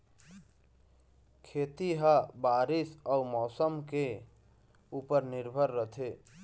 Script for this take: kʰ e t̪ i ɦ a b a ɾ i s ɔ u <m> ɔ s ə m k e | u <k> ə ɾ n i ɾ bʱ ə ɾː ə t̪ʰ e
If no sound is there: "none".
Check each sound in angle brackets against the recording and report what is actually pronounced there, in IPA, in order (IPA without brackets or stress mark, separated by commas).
m, p